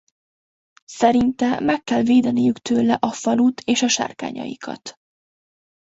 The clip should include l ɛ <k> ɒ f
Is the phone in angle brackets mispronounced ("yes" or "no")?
yes